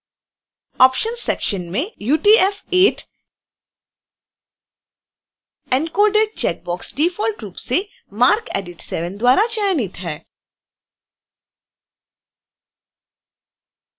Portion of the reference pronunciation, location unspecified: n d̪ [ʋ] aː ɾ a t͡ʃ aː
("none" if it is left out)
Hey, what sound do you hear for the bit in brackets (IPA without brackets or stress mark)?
w